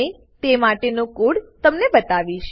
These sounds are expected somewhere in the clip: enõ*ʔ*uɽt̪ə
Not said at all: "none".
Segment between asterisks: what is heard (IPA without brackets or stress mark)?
k